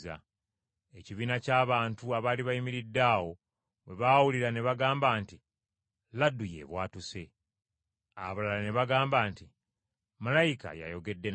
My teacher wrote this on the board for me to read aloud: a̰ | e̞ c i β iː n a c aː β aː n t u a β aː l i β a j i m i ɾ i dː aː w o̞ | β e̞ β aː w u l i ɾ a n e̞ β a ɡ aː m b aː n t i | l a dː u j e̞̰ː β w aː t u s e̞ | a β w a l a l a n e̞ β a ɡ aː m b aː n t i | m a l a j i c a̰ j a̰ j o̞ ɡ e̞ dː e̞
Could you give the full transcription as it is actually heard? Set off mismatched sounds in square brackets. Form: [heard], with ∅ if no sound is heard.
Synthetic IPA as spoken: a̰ | e̞ c i β iː n a c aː β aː n t u a β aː l i β a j i m i ɾ i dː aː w o̞ | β e̞ β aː w u l i ɾ a n e̞ β a ɡ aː m b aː n t i | l a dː u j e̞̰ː β w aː t u s e̞ | a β [β] a l a l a n e̞ β a ɡ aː m b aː n t i | m a l a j i [k] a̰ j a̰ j o̞ ɡ e̞ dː e̞